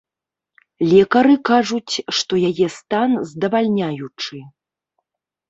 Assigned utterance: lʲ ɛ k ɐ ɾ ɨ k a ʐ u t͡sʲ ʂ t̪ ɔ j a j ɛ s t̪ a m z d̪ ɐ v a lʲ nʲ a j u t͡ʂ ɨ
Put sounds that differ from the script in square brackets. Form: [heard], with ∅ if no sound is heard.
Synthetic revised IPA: lʲ ɛ k ɐ ɾ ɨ k a ʐ u t͡sʲ ʂ t̪ ɔ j a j ɛ s t̪ a [n] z d̪ ɐ v a lʲ nʲ a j u t͡ʂ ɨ